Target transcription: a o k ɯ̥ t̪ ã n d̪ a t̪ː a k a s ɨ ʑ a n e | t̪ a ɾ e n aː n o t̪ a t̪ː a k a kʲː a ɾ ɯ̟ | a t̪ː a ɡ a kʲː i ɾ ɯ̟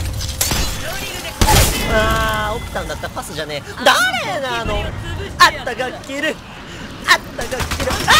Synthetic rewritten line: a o k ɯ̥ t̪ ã n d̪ a t̪ː a p a s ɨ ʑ a n e | d̪ a ɾ e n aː n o a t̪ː a ɡ a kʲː i ɾ ɯ̟ | a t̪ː a ɡ a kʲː i ɾ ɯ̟

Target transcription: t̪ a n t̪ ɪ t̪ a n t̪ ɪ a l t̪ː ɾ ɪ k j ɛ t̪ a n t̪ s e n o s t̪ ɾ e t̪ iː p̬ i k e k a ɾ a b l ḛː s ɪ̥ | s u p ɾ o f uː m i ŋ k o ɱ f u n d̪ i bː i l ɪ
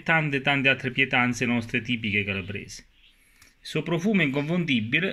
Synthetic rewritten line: t̪ a n t̪ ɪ t̪ a n t̪ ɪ a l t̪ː ɾ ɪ p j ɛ t̪ a n t̪ s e n ɔ s t̪ ɾ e t̪ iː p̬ i k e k a l a b ɾ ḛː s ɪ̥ | s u p ɾ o f uː m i ŋ k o ɱ f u n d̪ i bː i l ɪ

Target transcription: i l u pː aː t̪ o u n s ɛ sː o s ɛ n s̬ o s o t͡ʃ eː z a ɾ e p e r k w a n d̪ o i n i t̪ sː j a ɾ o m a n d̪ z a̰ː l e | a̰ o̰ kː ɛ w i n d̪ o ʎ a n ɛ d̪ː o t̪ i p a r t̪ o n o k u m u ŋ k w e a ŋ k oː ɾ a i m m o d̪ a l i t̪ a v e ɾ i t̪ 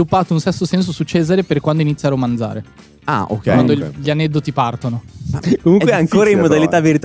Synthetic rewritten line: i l u pː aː t̪ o u n s ɛ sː o s ɛ n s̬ o s u t͡ʃ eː z a ɾ e p e r k w a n d̪ o i n i t̪ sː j a ɾ o m a n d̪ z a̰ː ɾ e | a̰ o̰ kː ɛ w a n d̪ o ʎ a n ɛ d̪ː o t̪ i p a r t̪ o n o k o m u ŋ k w e a ŋ k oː ɾ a i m m o d̪ a l i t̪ a v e ɾ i t̪

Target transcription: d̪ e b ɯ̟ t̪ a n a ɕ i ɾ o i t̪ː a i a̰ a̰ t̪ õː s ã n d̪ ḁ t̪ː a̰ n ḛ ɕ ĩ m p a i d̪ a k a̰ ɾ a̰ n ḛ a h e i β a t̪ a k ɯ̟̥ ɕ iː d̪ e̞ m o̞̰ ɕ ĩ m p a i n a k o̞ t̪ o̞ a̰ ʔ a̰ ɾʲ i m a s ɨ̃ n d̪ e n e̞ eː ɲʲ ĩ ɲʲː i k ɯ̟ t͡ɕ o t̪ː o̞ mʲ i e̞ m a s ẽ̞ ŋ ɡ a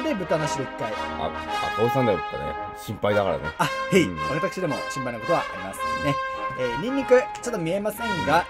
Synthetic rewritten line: d̪ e b ɯ̟ t̪ a n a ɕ i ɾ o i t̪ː a i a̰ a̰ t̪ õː s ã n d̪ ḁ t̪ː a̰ n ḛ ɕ ĩ m p a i d̪ a k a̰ ɾ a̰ n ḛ a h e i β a t̪ a k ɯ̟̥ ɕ i d̪ e̞ m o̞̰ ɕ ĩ m p a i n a k o̞ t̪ o̞ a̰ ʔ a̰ ɾʲ i m a s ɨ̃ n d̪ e n e̞ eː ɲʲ ĩ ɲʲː i k ɯ̟ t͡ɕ o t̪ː o̞ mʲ i e̞ m a s ẽ̞ ŋ ɡ a

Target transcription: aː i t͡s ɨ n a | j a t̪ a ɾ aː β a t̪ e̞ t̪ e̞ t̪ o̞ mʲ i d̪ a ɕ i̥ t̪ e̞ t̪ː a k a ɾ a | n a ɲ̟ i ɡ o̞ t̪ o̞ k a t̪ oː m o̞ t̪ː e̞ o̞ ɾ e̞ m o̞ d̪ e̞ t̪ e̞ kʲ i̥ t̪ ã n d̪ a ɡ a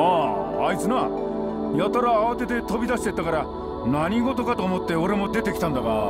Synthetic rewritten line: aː i t͡s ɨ n a | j a t̪ a ɾ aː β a t̪ e̞ t̪ e̞ t̪ o̞ bʲ i d̪ a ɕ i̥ t̪ e̞ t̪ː a k a ɾ a | n a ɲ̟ i ɡ o̞ t̪ o̞ k a t̪ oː m o̞ t̪ː e̞ o̞ ɾ e̞ m o̞ d̪ e̞ t̪ e̞ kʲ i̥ t̪ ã n d̪ a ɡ a

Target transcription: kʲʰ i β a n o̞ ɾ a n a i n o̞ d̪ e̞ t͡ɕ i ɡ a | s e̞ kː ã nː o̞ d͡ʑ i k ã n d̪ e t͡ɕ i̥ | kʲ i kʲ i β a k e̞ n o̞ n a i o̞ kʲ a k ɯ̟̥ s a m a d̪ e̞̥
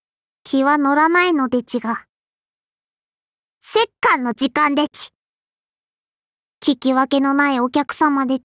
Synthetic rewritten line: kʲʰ i β a n o̞ ɾ a n a i n o̞ d̪ e̞ t͡ɕ i ɡ a | s e̞ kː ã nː o̞ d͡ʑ i k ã n d̪ e t͡ɕ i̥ | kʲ i kʲ i β a k e̞ n o̞ n a i o̞ kʲ a k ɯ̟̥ s a m a d̪ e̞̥

